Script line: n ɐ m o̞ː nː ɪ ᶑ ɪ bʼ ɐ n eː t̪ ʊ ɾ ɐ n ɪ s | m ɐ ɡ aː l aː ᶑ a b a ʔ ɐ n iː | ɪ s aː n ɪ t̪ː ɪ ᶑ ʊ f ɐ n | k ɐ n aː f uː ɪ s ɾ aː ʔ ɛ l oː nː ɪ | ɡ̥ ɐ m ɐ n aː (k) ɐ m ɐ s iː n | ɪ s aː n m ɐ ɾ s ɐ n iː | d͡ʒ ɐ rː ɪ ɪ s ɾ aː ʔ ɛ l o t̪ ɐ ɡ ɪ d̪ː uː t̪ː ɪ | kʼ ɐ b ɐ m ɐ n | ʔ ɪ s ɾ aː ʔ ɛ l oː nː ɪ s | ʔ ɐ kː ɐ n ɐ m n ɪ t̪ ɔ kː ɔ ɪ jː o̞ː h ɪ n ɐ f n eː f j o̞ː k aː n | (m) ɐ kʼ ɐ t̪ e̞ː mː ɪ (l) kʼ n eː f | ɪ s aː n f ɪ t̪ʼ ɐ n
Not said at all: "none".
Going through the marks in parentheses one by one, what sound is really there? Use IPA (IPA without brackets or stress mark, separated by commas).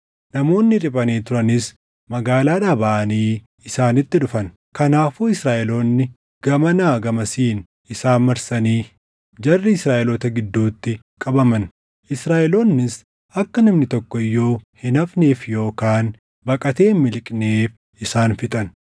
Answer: ɡ, b, l